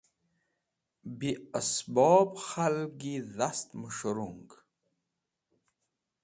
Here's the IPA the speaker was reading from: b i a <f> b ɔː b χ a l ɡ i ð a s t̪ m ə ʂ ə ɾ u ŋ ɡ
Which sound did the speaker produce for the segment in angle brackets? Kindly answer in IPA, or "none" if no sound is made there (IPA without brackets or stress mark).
s